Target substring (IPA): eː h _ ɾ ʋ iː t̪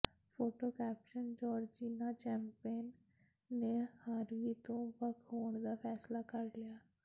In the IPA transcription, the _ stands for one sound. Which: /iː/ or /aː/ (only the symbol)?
aː